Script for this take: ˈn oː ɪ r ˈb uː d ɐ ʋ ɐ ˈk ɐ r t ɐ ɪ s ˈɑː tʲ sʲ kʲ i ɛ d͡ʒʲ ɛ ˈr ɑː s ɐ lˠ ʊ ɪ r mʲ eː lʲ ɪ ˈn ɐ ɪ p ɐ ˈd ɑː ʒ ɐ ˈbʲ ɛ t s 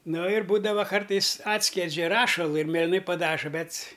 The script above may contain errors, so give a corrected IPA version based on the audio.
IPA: ˈn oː ɪ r ˈb uː d ɐ ʋ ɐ ˈk ɐ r t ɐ ɪ s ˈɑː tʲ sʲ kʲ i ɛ d͡ʒʲ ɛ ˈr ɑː ʃ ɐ lˠ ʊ ɪ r mʲ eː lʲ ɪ ˈn ɐ ɪ p ɐ ˈd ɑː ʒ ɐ ˈbʲ ɛ t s